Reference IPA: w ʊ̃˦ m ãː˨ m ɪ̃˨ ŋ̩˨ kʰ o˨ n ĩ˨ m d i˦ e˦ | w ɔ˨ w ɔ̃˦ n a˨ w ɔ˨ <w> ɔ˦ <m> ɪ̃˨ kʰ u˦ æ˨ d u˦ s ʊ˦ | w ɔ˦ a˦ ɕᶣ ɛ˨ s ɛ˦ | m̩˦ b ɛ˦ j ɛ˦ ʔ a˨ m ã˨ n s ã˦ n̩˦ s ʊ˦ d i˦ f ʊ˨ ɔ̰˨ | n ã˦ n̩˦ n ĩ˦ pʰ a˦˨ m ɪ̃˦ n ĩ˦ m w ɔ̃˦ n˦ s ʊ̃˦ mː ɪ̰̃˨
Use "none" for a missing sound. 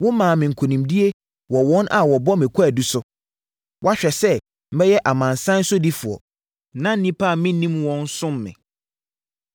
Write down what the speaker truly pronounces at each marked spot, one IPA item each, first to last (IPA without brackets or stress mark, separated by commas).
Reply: b, m